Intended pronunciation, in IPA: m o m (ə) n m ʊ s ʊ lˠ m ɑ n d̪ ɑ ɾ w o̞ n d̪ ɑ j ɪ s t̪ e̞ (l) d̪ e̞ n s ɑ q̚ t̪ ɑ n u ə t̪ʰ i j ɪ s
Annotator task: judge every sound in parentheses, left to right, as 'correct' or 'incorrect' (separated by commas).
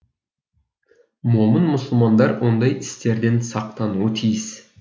correct, incorrect